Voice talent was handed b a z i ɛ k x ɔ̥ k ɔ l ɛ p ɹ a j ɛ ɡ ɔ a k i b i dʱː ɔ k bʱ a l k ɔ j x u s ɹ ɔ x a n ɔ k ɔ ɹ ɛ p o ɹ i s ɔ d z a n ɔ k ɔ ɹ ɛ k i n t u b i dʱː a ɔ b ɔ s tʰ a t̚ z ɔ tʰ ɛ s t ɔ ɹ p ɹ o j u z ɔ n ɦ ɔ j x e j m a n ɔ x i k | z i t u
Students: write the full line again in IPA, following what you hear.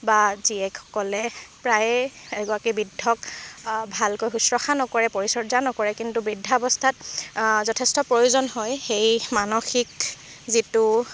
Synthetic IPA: b a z i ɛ k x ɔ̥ k ɔ l ɛ p ɹ a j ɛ ɡ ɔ a k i b i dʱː ɔ k bʱ a l k o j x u s ɹ ɔ x a n ɔ k ɔ ɹ ɛ p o ɹ i s ɔ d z a n ɔ k ɔ ɹ ɛ k i n t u b i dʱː a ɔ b ɔ s tʰ a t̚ z ɔ tʰ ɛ s t ɔ p ɹ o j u z ɔ n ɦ ɔ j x e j m a n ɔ x i k | z i t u